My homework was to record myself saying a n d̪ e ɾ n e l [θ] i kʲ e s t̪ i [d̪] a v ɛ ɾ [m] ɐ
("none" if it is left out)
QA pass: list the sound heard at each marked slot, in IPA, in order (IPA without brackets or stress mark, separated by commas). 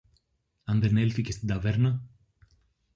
f, d̪, n